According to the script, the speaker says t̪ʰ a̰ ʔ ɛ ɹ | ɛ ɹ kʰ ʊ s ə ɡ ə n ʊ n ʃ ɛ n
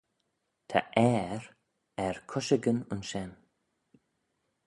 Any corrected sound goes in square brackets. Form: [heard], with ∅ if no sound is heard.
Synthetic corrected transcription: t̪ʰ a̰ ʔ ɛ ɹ | ɛ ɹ kʰ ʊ [ʃ] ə ɡ ə n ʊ n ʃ ɛ n